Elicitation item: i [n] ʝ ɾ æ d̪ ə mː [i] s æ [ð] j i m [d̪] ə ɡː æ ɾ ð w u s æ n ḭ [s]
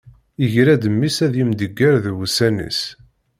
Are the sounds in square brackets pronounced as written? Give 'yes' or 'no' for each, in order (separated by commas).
no, yes, yes, yes, yes